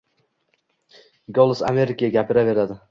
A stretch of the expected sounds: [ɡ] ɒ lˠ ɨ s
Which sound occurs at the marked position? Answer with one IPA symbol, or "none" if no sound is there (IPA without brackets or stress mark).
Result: ɡ